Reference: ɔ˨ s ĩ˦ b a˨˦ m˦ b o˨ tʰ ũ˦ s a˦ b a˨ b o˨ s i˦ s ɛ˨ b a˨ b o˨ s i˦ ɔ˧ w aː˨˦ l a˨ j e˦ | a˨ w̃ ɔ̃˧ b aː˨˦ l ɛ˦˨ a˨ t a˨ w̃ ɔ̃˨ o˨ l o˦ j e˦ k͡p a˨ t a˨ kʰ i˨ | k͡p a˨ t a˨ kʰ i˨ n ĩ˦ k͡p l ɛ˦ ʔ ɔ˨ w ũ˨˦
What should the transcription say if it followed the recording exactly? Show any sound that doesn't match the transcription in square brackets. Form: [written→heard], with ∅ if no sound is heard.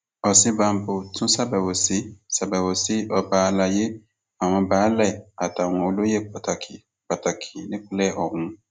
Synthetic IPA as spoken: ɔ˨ s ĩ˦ b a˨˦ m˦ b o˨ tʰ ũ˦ s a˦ b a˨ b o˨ s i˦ s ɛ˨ b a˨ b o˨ s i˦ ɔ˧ [w→b] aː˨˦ l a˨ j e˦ | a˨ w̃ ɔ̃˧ b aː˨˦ l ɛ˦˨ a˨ t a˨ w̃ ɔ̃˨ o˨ l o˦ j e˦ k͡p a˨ t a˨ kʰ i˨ | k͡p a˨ t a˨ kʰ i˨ n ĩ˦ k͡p l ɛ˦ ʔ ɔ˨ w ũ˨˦